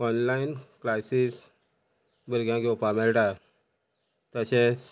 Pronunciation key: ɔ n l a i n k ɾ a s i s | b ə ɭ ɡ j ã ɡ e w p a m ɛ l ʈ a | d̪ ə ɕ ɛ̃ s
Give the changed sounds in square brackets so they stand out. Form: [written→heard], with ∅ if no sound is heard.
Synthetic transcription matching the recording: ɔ n l a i n k [ɾ→l] a s i s | b ə [ɭ→ɾ] ɡ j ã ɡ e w p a m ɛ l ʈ a | [d̪→t̪] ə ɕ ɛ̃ s